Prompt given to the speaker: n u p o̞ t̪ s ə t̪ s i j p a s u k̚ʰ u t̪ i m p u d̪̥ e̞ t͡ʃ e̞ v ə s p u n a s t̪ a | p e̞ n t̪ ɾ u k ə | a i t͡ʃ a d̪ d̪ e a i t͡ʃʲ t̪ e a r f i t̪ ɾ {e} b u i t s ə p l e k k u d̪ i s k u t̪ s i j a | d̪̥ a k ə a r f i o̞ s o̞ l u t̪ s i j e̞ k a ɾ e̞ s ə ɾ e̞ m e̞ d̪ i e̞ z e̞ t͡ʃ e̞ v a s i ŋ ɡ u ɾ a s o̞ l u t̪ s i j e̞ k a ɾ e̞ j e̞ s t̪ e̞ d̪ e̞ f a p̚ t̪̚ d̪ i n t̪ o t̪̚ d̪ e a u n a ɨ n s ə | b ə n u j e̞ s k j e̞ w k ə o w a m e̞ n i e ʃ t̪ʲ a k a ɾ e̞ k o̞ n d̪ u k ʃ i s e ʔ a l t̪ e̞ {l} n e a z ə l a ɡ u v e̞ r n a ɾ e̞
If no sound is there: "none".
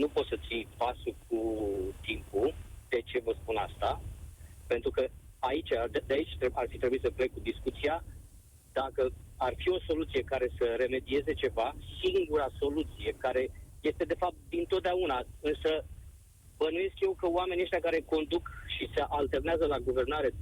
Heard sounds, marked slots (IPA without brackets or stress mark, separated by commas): e, r